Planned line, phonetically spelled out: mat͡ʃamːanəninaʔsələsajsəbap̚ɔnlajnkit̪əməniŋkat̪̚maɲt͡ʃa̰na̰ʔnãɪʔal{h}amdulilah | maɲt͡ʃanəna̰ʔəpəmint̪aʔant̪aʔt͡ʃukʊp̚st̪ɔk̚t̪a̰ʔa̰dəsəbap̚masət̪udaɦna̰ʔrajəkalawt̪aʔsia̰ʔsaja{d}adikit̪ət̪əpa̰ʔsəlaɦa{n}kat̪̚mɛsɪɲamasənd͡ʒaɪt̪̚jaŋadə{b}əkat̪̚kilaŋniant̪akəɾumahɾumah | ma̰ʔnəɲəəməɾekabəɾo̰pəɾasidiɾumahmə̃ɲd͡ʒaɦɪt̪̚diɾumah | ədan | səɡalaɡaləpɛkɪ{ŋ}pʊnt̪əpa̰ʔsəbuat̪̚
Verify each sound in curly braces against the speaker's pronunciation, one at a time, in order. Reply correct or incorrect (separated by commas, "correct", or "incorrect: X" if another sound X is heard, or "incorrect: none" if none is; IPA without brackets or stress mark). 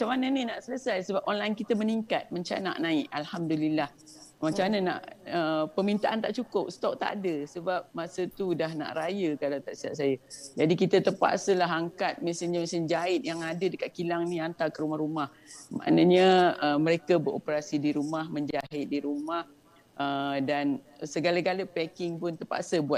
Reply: correct, incorrect: d͡ʒ, incorrect: ŋ, incorrect: d, correct